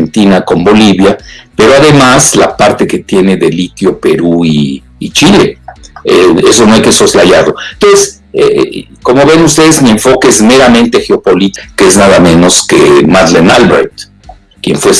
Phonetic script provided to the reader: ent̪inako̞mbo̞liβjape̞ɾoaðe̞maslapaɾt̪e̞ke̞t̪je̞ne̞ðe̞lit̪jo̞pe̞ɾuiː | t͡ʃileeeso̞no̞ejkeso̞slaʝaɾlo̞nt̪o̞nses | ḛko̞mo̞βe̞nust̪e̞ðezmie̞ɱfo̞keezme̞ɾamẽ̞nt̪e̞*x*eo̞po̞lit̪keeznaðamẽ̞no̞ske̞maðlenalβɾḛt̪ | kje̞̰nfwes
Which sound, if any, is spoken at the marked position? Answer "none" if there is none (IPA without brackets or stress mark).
x